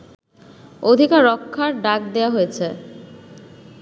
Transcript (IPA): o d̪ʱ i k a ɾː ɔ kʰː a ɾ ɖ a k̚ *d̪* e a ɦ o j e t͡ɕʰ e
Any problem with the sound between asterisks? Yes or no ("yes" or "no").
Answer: no